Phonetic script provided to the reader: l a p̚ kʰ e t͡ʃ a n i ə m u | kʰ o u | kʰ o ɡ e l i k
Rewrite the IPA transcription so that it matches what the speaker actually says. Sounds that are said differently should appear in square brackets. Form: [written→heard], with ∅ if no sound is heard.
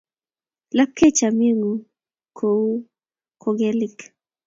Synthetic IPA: l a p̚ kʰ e t͡ʃ a [n→m] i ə [m→ŋ] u | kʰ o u | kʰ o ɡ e l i k